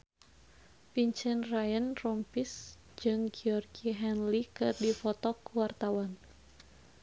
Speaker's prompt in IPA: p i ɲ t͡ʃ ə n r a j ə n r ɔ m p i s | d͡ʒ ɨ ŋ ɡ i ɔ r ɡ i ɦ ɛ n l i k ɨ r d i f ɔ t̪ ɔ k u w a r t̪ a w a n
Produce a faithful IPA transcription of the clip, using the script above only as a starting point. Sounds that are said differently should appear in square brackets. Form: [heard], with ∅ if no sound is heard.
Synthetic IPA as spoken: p i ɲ t͡ʃ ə n r a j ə n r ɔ m p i s | d͡ʒ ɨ ŋ ɡ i ɔ r ɡ i ɦ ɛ n l i k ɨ r d i f ɔ t̪ ɔ k u w a r t̪ a w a n